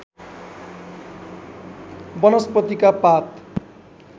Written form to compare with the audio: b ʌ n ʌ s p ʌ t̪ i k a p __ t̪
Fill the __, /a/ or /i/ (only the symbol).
a